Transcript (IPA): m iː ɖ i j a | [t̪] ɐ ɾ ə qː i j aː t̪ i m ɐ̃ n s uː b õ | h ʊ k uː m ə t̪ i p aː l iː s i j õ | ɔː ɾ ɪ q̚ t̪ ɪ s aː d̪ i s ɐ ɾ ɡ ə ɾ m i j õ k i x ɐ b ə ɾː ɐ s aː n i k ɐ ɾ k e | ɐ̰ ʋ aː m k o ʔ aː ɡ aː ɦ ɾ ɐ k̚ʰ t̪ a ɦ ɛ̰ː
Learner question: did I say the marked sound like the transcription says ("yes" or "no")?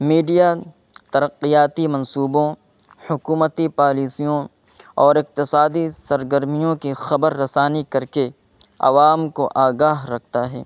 yes